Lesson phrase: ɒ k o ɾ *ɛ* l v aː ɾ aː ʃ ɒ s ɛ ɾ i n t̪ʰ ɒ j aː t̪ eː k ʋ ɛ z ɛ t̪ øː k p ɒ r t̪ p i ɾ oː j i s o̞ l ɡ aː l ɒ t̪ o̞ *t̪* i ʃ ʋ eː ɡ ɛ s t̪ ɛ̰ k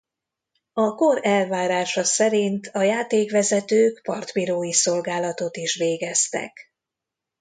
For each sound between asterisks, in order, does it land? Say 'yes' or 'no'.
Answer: yes, yes

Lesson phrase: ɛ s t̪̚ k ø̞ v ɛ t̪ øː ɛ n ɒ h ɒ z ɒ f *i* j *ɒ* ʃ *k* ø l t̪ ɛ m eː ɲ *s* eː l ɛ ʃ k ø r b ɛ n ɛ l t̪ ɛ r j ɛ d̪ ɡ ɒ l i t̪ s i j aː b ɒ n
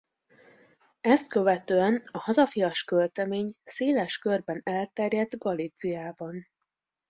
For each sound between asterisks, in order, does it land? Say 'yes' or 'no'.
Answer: yes, yes, yes, yes

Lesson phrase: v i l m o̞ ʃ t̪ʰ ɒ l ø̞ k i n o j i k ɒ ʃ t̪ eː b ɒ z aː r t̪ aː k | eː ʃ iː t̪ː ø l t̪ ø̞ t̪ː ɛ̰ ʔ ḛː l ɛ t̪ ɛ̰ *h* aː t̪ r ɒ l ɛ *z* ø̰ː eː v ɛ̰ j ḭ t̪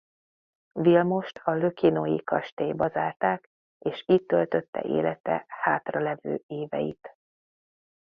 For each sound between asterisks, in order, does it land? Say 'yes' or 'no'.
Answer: yes, no

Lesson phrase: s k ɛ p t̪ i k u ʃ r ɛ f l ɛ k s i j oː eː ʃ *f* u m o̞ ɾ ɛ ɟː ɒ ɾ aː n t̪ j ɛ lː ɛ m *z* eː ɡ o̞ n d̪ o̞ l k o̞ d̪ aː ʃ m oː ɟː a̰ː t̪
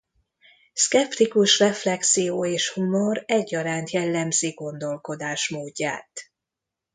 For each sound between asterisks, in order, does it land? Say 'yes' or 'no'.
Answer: no, yes

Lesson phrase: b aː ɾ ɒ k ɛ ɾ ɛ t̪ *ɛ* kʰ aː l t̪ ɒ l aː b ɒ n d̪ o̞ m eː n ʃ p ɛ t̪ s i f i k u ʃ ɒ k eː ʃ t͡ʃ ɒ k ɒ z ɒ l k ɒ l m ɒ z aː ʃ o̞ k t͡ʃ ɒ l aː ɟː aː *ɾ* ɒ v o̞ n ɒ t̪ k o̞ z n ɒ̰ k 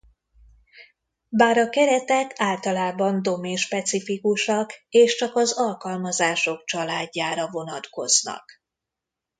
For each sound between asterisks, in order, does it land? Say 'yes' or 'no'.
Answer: yes, yes

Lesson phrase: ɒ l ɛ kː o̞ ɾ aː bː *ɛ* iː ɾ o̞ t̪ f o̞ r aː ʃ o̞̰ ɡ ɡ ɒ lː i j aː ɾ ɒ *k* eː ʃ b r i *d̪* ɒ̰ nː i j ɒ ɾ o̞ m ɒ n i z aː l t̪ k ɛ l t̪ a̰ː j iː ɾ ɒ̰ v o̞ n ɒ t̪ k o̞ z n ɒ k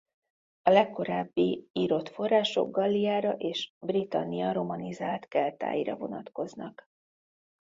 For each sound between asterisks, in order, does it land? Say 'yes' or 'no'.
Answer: no, no, no

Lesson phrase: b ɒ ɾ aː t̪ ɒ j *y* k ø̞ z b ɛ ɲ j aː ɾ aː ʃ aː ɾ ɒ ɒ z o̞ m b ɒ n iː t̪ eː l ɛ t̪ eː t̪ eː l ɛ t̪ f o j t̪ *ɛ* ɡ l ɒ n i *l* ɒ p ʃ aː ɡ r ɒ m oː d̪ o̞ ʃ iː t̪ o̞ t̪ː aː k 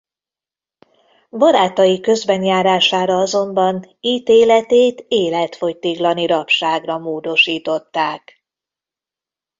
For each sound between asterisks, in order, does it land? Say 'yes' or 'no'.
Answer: no, no, no

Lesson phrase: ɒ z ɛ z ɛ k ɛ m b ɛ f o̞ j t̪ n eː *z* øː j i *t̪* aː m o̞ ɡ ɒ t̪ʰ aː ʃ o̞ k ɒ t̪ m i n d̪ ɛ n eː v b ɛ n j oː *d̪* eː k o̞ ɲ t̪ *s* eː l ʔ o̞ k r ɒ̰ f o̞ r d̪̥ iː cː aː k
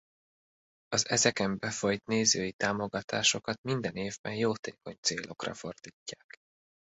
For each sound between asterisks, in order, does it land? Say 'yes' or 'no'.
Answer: yes, yes, no, yes

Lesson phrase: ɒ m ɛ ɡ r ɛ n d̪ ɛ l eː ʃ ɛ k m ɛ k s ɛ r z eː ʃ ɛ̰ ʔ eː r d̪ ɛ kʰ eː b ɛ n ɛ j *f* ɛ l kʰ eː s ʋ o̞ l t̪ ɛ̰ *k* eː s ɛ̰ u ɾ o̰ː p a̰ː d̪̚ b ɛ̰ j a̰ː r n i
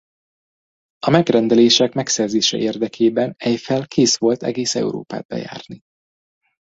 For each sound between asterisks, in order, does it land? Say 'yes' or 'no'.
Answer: yes, no

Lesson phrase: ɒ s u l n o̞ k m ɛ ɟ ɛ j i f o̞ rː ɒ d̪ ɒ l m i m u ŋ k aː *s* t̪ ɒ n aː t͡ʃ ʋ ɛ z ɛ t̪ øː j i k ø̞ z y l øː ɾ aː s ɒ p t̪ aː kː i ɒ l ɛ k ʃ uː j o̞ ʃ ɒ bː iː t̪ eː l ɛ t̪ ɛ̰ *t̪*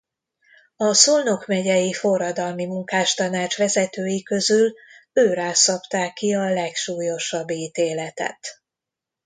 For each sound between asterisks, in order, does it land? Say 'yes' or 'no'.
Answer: no, yes

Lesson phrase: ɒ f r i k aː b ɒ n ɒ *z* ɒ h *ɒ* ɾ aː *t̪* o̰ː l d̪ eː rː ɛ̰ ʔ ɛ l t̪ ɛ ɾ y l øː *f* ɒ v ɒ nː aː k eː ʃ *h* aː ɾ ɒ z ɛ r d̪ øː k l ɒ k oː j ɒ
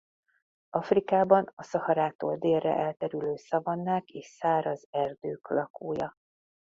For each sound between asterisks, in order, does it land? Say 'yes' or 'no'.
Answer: no, yes, yes, no, no

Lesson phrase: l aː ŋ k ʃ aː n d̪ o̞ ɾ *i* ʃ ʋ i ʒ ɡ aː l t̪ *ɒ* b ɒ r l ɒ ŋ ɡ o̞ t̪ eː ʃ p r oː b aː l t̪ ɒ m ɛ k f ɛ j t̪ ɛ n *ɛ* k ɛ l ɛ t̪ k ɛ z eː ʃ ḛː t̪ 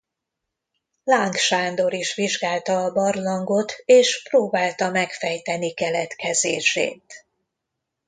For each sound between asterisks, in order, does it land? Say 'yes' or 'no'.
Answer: yes, no, no

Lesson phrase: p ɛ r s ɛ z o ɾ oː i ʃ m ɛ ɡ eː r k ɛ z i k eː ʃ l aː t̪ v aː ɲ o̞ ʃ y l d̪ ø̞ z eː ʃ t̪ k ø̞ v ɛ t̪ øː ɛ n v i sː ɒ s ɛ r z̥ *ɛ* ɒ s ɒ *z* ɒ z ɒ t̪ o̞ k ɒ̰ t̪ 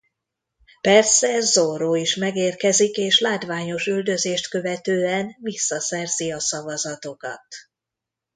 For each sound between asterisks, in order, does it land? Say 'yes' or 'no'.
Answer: no, no

